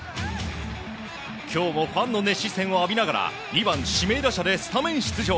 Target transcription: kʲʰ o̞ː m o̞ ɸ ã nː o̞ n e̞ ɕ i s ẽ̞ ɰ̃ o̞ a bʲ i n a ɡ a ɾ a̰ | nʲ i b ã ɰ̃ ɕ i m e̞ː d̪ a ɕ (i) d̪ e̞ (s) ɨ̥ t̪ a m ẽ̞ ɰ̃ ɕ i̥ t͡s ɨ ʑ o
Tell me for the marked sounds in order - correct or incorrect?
incorrect: a, correct

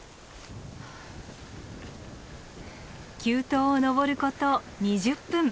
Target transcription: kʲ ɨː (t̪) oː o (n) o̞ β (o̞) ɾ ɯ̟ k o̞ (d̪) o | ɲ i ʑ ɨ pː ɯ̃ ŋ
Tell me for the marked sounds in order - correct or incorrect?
correct, correct, correct, incorrect: t̪

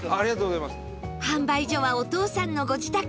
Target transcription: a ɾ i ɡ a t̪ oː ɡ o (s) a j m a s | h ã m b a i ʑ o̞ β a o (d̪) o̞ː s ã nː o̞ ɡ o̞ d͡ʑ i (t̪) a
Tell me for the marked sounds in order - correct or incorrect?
incorrect: z, incorrect: t̪, correct

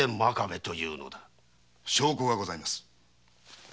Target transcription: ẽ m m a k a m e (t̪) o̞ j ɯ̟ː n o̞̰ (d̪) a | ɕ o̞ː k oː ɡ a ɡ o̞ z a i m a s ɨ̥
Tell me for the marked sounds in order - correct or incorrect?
correct, correct

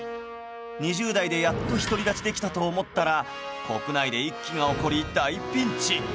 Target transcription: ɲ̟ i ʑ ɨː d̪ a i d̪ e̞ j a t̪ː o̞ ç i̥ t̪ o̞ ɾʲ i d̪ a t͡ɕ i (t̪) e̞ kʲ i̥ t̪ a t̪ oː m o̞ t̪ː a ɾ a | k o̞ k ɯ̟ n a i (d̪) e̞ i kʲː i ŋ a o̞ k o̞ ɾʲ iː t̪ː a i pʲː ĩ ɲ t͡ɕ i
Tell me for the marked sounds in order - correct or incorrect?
incorrect: d̪, correct

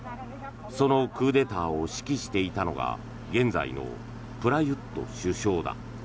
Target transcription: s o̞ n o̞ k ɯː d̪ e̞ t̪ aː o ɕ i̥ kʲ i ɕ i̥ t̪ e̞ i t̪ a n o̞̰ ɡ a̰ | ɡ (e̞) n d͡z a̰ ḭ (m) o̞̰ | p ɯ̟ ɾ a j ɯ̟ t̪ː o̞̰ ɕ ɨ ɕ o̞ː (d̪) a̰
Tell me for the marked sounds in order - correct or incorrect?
incorrect: ẽ̞, incorrect: n, correct

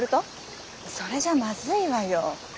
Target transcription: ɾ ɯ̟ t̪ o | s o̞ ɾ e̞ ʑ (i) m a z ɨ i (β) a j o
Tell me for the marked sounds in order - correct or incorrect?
incorrect: a, correct

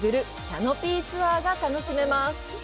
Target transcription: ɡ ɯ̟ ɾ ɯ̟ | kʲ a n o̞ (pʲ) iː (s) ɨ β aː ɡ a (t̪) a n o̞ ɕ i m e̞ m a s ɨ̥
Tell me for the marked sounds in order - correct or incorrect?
correct, incorrect: t͡s, correct

